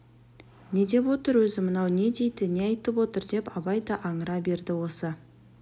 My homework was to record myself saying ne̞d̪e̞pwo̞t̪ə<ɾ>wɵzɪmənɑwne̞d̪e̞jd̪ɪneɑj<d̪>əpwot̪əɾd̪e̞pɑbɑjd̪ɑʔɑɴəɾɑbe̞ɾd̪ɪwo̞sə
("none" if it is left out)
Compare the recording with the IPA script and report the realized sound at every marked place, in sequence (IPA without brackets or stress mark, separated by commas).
ɾ, t̪